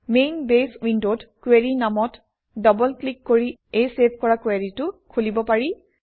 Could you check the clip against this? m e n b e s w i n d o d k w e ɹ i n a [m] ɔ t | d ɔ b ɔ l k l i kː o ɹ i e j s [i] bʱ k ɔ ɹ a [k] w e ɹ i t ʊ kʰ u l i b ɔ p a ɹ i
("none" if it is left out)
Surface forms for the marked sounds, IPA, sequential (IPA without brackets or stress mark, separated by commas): m, e, k